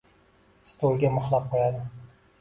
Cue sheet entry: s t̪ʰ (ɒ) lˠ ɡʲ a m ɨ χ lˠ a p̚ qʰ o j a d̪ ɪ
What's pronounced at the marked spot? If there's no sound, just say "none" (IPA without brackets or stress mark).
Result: o